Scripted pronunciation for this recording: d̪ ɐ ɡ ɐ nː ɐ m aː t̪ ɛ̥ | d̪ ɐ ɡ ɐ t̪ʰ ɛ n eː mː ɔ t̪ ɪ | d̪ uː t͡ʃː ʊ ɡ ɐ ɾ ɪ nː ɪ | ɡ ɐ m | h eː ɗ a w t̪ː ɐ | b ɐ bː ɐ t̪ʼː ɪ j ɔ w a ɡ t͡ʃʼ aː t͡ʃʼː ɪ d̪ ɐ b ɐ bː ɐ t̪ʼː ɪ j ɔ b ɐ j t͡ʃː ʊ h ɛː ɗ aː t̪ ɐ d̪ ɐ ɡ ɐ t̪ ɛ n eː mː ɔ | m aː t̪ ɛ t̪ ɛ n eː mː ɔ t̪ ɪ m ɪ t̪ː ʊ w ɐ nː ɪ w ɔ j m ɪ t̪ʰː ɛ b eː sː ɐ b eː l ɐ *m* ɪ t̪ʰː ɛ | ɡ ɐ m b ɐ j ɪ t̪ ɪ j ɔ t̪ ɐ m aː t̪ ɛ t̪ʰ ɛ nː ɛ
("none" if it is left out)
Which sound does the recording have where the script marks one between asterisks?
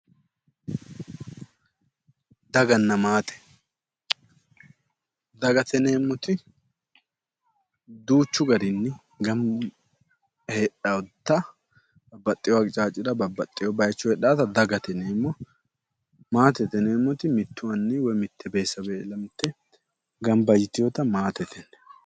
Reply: m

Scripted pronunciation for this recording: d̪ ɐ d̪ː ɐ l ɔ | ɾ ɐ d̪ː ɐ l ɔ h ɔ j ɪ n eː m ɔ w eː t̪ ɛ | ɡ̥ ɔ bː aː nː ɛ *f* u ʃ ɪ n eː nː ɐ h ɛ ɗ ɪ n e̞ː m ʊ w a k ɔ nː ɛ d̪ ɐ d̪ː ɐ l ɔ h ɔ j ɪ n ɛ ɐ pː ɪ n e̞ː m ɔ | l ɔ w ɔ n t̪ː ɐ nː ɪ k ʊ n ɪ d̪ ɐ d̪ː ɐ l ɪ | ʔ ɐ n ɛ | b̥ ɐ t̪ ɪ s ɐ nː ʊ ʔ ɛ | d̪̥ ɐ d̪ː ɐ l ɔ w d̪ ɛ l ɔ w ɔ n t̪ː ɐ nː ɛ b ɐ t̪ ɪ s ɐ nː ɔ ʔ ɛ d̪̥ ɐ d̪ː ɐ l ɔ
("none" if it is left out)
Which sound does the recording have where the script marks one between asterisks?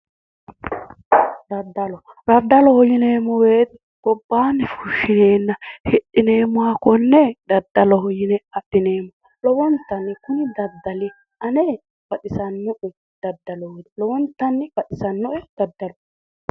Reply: f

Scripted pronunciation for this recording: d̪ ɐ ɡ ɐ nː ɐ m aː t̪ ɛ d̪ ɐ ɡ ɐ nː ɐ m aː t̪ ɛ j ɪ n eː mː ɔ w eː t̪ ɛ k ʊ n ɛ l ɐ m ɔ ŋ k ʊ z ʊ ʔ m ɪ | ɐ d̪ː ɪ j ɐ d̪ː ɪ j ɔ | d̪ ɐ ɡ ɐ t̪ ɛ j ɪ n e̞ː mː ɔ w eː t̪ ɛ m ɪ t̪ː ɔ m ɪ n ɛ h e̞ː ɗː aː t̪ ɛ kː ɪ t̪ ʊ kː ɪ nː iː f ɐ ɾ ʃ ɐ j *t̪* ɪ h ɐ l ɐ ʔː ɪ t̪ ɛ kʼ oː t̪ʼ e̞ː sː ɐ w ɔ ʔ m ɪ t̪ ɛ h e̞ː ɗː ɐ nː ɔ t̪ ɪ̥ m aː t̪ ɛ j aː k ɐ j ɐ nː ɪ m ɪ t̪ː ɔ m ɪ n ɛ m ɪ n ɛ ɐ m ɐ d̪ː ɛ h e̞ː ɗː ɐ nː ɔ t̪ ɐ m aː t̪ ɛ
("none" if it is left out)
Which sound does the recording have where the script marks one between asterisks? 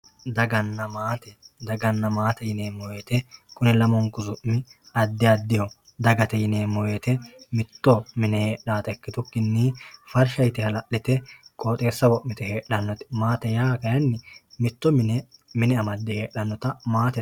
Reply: t̪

